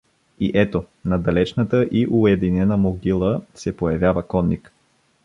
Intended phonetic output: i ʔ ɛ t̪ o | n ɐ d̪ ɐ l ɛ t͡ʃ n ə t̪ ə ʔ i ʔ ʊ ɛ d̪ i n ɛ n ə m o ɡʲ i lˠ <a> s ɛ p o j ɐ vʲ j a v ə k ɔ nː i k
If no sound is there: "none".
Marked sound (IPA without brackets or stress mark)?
ə